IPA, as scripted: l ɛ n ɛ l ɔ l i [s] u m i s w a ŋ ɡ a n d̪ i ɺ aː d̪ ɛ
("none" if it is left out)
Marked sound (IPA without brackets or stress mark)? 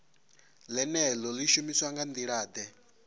ʃ